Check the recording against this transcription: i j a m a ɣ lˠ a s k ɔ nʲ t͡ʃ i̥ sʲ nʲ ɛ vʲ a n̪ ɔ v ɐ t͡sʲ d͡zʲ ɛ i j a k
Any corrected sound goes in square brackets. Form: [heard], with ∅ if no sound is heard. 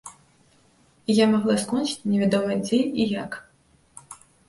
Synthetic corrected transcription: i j a m a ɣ lˠ a s k ɔ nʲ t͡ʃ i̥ [t͡sʲ] nʲ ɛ vʲ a [d̪] ɔ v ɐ [∅] d͡zʲ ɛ i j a k